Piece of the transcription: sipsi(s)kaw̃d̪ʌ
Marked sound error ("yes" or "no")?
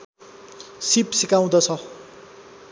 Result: yes